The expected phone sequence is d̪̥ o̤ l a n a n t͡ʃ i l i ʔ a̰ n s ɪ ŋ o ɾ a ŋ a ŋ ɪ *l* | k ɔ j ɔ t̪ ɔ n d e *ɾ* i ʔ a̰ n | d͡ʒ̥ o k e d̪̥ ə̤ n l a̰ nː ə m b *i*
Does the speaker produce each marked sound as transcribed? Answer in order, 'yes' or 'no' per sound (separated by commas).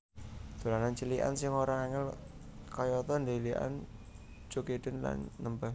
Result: yes, no, no